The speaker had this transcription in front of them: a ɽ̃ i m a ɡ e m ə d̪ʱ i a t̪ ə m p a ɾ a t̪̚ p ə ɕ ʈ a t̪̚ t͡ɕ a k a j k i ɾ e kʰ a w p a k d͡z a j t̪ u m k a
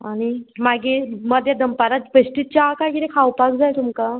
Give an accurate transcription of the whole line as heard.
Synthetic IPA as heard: a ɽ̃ i m a ɡ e m ə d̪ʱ j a d̪ ə m p a ɾ a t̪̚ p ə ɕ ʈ i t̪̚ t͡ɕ a k a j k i ɾ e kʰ a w p a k d͡z a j t̪ u m k a